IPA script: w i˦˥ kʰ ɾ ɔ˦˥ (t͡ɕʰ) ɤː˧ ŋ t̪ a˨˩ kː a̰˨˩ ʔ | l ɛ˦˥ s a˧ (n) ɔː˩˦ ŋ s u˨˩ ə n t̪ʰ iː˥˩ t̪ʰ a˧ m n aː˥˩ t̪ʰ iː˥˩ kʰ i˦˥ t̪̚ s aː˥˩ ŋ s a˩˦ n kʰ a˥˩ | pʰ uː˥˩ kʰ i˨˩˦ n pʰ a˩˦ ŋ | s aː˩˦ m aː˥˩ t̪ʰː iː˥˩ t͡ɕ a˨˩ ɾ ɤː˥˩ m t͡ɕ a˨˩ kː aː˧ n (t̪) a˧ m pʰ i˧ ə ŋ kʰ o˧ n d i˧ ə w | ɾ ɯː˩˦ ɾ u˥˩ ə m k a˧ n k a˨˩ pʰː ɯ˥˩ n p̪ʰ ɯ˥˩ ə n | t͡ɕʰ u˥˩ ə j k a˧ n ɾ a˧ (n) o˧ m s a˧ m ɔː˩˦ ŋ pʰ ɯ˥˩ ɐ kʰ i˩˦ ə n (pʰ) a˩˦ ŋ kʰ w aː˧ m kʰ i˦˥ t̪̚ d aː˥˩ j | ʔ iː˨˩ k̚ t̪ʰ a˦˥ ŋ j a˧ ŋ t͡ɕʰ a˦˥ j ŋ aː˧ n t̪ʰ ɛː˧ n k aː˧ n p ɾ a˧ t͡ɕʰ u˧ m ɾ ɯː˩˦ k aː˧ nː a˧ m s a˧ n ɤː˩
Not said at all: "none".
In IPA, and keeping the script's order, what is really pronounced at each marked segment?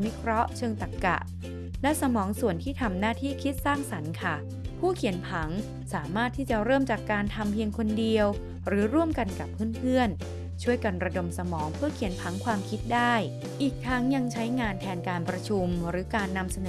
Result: t͡ɕʰ, m, t̪ʰ, d, pʰ

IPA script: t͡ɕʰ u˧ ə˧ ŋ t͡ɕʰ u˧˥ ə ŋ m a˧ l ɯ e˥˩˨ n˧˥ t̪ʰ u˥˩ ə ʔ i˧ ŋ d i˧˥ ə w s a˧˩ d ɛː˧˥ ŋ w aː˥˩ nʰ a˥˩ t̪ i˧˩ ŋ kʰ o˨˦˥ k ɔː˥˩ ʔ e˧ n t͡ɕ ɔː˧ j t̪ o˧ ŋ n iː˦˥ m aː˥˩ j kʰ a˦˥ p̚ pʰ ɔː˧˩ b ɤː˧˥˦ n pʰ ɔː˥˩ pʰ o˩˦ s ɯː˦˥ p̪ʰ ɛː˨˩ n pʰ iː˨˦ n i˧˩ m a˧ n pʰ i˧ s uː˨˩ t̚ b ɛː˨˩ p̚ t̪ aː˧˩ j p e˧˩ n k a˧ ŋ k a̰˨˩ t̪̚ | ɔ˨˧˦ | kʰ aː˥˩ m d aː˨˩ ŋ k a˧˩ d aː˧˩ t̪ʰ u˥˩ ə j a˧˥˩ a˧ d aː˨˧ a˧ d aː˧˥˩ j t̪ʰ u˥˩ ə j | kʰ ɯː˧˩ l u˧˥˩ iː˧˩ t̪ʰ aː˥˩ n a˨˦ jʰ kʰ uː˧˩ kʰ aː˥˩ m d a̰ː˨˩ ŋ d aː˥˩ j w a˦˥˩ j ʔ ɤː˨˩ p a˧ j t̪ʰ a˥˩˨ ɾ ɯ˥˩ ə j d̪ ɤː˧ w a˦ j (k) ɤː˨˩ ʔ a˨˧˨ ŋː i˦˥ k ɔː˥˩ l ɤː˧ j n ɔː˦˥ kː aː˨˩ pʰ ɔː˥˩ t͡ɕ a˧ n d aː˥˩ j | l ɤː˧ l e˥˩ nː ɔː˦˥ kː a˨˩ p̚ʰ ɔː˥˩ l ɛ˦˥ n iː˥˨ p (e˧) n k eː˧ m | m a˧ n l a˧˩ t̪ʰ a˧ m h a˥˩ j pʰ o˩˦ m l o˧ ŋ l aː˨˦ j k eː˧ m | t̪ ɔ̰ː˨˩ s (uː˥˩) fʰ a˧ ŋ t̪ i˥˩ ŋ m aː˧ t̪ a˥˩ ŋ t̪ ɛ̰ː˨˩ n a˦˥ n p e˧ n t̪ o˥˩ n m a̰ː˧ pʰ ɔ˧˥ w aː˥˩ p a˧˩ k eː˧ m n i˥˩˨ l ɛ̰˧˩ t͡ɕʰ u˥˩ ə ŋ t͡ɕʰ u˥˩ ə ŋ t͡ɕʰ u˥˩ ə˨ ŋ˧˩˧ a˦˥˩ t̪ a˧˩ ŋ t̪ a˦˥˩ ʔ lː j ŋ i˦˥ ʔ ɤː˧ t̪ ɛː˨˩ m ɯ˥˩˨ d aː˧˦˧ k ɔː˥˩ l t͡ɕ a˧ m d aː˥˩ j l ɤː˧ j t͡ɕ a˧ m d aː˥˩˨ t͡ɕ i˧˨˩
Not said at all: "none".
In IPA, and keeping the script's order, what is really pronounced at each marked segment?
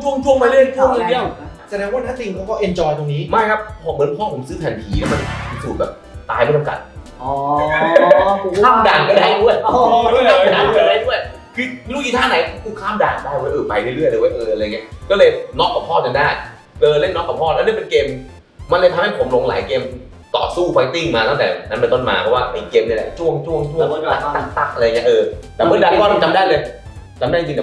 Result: ʔ, e˧, uː˥˩

